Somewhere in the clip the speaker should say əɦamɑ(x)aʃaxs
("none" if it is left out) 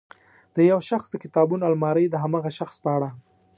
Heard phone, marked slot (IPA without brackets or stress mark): ɣ